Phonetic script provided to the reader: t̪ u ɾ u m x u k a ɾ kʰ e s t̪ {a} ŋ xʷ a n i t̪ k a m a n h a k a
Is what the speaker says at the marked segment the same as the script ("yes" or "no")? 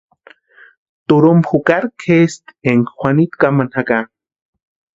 no